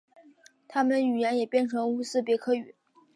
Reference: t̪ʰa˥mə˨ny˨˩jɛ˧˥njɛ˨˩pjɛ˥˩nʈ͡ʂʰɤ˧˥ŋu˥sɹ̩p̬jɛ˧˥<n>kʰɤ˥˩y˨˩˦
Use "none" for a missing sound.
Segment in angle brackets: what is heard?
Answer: none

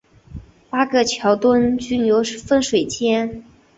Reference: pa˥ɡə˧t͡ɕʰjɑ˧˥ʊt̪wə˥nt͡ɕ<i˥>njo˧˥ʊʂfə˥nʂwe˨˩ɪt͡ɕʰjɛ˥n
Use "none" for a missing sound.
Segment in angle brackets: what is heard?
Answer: y˥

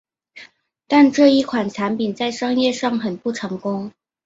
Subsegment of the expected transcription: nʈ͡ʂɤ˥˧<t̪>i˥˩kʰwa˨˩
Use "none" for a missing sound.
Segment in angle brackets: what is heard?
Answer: none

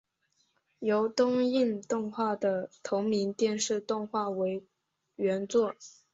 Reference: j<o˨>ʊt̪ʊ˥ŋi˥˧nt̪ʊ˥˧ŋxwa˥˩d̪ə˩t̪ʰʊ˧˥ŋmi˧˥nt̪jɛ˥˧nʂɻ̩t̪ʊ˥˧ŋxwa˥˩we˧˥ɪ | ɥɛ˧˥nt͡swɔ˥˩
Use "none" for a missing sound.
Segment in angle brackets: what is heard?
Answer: o˧˥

